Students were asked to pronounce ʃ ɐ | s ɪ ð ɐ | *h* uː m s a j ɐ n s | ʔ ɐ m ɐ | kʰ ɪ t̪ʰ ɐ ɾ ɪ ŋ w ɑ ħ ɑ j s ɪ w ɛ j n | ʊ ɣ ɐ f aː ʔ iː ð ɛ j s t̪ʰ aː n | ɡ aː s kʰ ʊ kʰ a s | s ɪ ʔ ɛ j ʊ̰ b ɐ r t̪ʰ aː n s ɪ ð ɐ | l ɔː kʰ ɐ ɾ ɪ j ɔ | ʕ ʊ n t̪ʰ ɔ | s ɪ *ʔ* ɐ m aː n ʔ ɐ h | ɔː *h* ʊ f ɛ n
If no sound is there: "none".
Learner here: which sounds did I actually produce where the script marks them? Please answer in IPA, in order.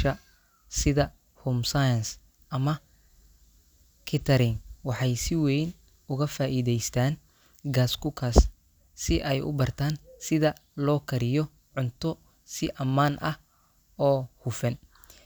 h, ʔ, h

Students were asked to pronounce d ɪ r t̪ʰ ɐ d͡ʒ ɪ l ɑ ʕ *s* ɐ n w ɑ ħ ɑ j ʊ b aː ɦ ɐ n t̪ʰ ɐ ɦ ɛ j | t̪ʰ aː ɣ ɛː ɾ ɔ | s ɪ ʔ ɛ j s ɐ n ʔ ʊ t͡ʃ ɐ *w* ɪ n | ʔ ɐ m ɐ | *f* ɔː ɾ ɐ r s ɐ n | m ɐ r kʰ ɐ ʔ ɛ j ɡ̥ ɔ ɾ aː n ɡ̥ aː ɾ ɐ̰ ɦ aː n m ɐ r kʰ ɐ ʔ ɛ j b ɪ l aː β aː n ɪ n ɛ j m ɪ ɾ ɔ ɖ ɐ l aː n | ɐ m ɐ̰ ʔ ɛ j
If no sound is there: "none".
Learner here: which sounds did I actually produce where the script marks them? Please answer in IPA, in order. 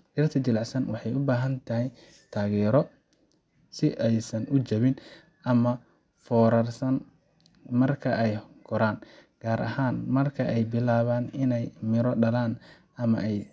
s, β, f

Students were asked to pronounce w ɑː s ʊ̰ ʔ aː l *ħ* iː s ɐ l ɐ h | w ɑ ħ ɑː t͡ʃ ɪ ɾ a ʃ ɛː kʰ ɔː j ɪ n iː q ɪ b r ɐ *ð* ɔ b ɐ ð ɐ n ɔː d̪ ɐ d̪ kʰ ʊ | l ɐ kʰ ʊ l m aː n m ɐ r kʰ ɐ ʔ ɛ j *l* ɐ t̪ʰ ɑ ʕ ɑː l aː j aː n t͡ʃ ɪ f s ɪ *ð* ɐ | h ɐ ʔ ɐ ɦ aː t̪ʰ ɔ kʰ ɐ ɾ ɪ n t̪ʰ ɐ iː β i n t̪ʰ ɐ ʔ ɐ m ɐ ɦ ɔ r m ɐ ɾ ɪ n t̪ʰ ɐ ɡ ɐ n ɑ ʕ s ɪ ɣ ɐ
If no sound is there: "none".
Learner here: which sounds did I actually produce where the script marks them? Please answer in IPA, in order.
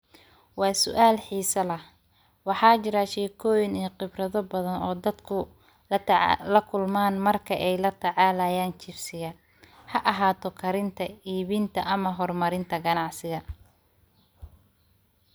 ħ, ð, l, ɣ

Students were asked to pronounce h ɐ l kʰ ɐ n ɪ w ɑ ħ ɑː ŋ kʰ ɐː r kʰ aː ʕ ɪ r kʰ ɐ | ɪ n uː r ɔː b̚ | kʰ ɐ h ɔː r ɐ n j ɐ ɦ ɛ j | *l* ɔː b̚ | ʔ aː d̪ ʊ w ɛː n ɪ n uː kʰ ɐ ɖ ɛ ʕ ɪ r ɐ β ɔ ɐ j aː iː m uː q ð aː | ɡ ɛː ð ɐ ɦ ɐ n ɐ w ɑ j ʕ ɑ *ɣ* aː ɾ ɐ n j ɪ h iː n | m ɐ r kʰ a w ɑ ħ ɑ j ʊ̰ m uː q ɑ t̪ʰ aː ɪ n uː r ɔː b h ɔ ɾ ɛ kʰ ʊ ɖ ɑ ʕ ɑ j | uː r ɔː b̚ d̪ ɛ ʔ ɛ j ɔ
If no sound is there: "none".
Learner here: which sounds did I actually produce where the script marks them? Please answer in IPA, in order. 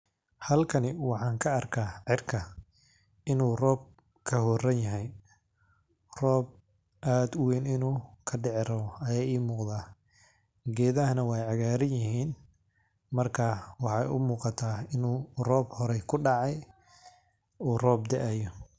r, ɣ

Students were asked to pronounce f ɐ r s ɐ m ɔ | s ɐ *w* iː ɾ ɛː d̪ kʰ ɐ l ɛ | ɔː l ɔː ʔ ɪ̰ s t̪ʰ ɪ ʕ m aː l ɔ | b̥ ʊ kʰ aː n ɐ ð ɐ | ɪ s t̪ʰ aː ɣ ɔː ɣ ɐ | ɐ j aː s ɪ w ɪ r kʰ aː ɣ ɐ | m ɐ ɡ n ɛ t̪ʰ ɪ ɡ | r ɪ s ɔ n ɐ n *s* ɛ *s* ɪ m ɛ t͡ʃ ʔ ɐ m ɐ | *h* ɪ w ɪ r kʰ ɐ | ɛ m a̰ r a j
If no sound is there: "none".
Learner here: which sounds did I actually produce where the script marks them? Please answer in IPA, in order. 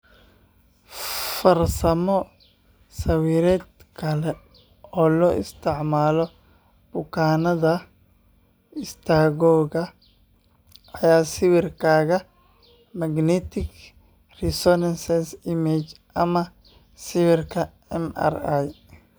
w, s, s, s

